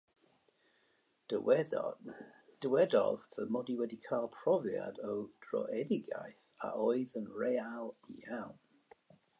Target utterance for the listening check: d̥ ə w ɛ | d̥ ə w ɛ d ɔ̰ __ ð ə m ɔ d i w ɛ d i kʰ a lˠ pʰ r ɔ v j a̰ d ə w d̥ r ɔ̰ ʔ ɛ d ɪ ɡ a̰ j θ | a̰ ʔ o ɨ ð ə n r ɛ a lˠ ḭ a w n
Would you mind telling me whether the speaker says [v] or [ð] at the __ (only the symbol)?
ð